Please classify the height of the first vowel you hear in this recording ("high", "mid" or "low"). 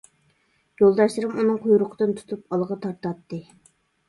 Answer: mid